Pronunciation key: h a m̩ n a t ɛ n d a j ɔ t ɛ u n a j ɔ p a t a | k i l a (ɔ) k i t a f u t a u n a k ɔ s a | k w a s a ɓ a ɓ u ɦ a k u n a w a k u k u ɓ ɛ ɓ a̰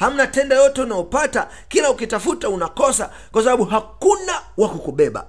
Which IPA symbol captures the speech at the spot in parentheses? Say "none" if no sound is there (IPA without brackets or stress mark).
u